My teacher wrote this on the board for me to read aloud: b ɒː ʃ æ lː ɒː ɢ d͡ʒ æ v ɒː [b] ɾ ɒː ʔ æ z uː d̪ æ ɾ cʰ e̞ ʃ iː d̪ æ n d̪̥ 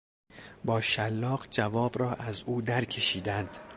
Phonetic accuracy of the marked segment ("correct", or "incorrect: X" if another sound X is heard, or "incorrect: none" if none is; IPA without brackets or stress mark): correct